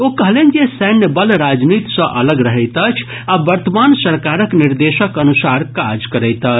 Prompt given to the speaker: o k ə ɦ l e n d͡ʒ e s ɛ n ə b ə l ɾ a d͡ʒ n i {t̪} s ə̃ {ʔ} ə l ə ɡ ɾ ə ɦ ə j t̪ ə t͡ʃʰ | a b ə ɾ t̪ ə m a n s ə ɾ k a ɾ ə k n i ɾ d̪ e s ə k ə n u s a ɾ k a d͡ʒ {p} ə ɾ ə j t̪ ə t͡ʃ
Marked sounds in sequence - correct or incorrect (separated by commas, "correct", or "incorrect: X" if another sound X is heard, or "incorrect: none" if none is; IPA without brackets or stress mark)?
correct, correct, incorrect: k